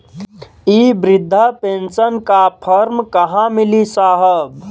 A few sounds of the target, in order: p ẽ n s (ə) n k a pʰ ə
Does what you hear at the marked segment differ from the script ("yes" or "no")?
no